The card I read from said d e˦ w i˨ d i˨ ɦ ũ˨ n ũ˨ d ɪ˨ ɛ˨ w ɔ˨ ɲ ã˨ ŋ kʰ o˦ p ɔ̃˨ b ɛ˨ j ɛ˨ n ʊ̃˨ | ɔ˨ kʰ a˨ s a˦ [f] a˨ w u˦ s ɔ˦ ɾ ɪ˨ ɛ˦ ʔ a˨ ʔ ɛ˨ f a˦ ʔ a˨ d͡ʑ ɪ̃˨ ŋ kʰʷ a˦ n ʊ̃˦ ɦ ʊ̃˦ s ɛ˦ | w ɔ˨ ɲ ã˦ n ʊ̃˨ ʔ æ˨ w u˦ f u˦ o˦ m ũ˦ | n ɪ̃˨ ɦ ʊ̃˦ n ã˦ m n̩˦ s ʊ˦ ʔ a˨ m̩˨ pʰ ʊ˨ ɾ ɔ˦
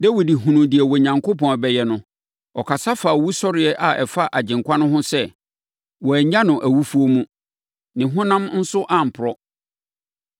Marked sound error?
no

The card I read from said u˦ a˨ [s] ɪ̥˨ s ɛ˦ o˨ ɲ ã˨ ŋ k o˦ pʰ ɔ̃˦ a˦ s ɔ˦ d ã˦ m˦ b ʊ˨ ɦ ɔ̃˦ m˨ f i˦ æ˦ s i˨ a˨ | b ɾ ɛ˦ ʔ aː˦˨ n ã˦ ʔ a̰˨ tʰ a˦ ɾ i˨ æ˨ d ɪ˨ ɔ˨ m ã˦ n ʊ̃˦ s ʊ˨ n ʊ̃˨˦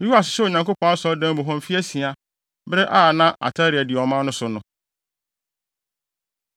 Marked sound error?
no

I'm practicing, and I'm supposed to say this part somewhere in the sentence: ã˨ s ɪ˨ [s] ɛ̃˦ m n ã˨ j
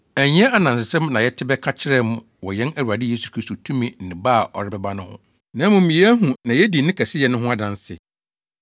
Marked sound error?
no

